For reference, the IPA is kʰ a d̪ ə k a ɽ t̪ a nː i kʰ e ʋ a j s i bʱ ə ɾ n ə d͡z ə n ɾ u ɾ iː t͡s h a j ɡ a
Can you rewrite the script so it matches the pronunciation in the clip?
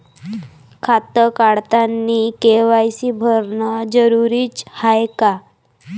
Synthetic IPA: kʰ a t̪ ə k a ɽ t̪ a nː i k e ʋ a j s i bʱ ə ɾ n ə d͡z ə ɾ u ɾ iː t͡s h a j k a